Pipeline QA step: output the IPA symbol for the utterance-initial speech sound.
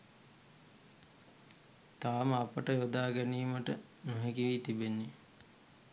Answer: t̪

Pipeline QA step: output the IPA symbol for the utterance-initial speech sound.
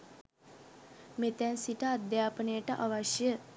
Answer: m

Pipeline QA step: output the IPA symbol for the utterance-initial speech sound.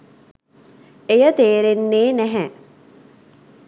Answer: e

